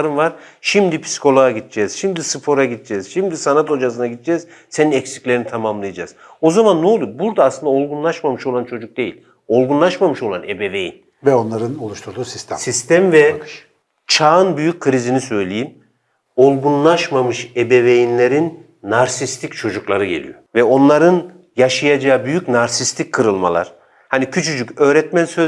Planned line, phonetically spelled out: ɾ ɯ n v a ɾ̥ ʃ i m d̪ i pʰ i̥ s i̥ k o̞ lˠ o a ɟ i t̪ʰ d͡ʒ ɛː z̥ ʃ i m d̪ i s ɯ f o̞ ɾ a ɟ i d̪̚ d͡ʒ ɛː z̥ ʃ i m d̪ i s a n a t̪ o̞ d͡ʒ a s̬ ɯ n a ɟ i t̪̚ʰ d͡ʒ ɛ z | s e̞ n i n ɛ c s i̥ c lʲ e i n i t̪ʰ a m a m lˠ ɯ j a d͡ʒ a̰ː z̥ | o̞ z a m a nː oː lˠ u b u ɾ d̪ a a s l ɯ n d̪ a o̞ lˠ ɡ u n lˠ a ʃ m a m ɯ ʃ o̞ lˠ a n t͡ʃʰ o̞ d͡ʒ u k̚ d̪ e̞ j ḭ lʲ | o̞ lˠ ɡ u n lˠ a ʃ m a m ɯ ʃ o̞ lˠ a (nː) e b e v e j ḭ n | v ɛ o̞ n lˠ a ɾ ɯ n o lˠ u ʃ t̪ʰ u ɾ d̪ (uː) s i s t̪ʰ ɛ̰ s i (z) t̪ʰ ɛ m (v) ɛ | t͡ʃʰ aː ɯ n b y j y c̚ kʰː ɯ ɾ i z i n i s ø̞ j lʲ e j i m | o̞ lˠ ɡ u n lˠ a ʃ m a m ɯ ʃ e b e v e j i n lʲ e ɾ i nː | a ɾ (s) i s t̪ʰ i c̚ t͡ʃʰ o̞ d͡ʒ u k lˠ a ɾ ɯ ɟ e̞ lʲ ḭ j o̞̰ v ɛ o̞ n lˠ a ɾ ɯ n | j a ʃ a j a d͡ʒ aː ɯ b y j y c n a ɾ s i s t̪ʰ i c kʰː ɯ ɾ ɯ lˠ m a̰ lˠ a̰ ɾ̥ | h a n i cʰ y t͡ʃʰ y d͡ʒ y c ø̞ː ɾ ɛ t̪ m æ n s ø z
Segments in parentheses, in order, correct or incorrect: incorrect: n, correct, incorrect: s, correct, correct

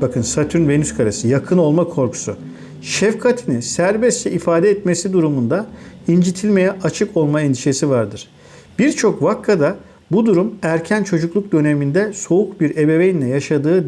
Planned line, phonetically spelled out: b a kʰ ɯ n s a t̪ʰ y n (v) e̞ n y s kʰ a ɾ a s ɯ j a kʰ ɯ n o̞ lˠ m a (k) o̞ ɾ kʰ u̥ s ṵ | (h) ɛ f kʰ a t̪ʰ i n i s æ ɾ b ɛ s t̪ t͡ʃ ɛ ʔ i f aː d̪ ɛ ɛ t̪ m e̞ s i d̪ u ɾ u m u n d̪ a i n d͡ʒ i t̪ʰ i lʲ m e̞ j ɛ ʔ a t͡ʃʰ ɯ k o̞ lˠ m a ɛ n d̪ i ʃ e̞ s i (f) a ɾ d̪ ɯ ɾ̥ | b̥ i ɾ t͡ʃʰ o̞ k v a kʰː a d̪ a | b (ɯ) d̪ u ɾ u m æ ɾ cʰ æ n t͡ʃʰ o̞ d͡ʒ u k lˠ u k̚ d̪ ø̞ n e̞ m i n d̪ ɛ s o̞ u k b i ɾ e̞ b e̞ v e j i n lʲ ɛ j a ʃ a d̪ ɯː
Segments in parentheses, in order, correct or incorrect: correct, incorrect: kʰ, incorrect: ʃ, incorrect: v, incorrect: u

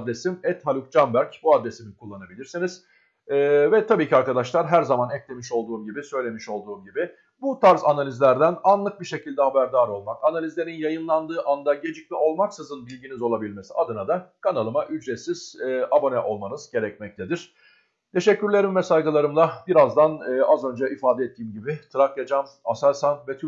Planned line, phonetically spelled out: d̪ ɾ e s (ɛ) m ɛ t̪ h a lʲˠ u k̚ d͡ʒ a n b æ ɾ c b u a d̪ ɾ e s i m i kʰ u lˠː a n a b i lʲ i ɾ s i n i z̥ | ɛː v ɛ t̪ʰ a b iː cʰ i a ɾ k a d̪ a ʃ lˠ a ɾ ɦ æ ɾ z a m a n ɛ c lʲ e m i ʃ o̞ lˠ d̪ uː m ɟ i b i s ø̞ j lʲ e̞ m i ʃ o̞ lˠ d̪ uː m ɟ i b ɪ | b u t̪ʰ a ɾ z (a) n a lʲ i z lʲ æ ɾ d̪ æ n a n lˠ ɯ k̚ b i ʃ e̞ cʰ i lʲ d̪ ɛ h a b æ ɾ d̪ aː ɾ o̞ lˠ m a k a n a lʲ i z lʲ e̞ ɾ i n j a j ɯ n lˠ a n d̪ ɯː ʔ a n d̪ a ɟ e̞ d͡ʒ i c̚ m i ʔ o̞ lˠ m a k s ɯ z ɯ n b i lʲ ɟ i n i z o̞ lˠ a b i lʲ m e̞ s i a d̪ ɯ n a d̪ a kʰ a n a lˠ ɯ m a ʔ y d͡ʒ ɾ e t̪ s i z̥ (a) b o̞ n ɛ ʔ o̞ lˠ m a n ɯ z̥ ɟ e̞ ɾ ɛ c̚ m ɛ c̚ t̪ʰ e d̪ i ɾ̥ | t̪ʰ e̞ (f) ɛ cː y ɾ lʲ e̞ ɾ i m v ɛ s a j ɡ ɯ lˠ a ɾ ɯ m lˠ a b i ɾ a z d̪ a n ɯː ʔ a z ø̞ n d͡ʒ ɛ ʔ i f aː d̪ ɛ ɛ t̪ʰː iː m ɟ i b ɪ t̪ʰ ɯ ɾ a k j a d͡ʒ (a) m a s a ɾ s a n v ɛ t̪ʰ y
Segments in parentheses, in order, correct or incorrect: incorrect: i, correct, correct, incorrect: ʃ, correct

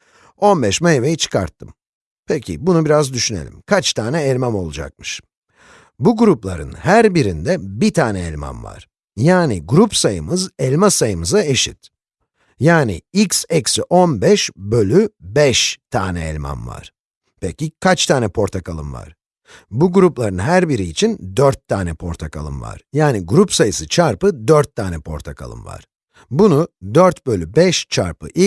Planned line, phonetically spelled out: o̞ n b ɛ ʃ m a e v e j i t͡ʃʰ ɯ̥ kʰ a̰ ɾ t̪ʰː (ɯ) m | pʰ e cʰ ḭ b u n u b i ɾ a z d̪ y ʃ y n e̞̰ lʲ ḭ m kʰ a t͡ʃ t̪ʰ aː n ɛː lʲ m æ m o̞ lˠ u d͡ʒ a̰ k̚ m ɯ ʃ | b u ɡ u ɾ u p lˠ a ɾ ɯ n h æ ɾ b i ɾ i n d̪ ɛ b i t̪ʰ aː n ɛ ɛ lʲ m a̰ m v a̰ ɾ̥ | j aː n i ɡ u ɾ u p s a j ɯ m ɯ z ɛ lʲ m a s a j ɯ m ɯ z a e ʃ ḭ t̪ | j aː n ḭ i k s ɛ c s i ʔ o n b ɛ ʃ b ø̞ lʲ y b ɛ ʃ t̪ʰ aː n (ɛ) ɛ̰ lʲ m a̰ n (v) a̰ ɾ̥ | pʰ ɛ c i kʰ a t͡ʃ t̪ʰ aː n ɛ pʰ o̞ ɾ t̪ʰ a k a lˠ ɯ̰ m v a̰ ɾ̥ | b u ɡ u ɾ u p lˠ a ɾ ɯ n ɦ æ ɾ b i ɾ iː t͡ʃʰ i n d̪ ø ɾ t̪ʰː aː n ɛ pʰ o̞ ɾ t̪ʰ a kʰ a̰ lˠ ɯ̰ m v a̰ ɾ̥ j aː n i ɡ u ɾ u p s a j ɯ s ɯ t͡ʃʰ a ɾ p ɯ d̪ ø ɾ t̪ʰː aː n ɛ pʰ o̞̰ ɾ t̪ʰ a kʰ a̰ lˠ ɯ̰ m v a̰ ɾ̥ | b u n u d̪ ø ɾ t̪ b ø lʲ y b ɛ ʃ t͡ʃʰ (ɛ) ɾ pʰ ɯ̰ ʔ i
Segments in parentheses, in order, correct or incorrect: correct, correct, correct, incorrect: a

